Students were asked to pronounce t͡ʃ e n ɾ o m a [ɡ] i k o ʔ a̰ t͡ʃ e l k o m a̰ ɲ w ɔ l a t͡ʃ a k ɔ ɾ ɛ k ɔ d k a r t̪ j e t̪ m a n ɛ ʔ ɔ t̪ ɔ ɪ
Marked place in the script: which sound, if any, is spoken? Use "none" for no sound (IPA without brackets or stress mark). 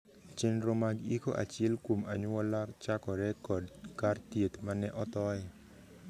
ɡ